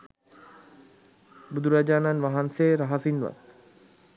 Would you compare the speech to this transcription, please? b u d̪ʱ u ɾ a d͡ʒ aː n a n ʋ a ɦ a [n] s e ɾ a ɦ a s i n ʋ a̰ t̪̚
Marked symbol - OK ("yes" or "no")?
yes